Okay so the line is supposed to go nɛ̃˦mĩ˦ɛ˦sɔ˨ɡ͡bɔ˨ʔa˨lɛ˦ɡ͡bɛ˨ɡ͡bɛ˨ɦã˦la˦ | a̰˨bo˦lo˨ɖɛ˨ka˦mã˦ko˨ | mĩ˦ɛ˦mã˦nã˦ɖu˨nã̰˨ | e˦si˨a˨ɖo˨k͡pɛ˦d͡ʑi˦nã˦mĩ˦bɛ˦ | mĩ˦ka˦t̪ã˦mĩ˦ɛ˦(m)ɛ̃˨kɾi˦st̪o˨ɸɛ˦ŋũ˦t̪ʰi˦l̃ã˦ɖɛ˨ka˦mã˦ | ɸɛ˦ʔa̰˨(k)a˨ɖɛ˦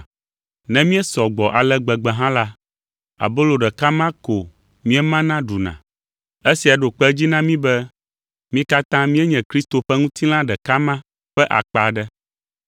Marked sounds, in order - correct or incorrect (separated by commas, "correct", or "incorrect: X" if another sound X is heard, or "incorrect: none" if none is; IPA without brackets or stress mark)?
incorrect: ɲ, incorrect: k͡p